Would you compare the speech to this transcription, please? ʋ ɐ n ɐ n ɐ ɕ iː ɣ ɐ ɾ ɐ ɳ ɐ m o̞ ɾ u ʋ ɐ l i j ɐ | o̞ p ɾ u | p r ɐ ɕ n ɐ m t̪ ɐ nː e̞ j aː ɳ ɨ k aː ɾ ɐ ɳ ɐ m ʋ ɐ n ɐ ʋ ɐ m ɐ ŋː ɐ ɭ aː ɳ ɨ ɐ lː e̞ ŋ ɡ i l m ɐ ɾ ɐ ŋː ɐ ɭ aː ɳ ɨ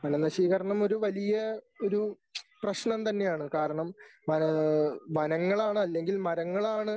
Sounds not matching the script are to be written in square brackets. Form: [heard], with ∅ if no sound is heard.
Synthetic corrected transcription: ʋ ɐ n ɐ n ɐ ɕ iː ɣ ɐ ɾ ɐ ɳ ɐ m o̞ ɾ u ʋ ɐ l i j ɐ | o̞ [∅] ɾ u | p r ɐ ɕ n ɐ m t̪ ɐ nː e̞ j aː ɳ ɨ k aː ɾ ɐ ɳ ɐ m ʋ ɐ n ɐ ʋ ɐ [n] ɐ ŋː ɐ ɭ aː ɳ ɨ ɐ lː e̞ ŋ ɡ i l m ɐ ɾ ɐ ŋː ɐ ɭ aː ɳ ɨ